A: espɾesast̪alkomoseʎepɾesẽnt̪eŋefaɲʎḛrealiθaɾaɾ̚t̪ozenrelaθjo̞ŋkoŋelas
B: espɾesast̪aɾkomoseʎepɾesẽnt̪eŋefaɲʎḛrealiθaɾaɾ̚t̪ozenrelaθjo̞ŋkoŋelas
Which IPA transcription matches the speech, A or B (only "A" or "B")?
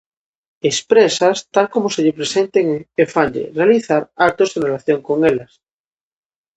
A